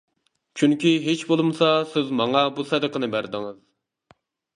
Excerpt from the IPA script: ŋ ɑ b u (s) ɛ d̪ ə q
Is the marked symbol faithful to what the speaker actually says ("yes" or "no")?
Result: yes